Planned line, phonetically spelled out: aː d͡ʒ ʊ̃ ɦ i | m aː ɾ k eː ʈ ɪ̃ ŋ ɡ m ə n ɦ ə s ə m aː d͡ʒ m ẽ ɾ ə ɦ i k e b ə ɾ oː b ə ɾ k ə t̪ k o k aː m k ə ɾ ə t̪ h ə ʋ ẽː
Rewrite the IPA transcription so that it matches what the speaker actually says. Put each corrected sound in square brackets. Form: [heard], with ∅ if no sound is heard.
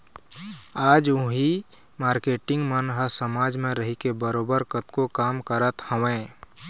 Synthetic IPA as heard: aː d͡ʒ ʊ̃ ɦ i | m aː ɾ k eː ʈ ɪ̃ ŋ ɡ m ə n ɦ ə s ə m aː d͡ʒ m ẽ ɾ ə ɦ i k e b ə ɾ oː b ə ɾ k ə t̪ k o k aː m k ə ɾ ə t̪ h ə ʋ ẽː